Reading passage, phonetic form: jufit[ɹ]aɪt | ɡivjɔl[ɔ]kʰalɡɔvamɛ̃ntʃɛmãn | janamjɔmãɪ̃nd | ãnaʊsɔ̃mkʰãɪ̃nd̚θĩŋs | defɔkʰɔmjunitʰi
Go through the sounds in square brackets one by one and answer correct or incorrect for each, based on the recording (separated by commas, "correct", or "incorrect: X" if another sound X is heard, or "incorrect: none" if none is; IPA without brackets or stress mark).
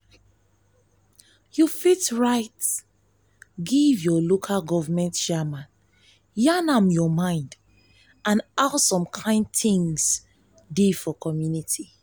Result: correct, incorrect: o